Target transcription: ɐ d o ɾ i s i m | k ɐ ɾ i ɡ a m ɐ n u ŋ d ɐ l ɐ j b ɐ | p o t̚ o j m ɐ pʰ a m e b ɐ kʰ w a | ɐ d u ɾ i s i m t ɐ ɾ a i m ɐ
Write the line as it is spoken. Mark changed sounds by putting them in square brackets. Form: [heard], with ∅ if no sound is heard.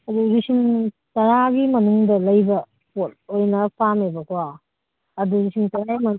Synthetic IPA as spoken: ɐ d [u] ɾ i s i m | [t] ɐ ɾ [a] ɡ [i] m ɐ n u ŋ d ɐ l ɐ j b ɐ | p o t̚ o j [n] ɐ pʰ a m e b ɐ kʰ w a | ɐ d u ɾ i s i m t ɐ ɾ a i m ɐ